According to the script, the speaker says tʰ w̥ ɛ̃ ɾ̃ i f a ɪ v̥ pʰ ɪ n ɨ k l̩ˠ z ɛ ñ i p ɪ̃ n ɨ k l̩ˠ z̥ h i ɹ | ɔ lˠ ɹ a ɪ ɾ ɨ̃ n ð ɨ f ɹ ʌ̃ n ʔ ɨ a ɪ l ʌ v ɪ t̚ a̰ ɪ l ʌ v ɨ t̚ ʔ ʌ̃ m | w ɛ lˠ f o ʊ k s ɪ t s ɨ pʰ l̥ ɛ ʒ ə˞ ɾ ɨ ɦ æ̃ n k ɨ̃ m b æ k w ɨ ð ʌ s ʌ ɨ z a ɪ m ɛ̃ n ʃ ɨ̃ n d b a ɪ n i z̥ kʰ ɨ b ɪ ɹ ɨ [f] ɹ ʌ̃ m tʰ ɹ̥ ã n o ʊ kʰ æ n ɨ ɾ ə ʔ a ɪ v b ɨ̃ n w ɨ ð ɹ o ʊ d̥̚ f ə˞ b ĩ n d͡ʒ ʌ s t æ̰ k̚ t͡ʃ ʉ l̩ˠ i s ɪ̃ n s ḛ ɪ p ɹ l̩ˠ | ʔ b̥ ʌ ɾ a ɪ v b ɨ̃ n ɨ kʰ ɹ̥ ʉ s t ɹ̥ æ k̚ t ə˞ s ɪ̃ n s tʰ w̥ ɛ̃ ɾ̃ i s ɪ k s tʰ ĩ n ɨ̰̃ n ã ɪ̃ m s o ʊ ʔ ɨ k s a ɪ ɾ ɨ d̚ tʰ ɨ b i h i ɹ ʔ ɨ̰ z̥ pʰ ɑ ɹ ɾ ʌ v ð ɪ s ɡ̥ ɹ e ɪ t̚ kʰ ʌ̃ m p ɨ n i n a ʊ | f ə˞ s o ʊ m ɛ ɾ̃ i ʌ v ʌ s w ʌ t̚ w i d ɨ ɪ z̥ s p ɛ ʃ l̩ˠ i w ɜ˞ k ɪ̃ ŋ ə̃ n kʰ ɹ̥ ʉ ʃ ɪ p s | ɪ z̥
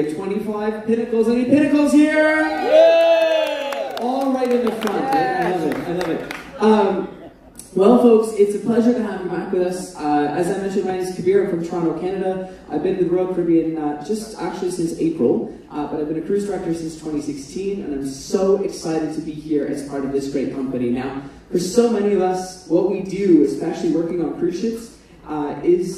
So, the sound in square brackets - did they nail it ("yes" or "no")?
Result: yes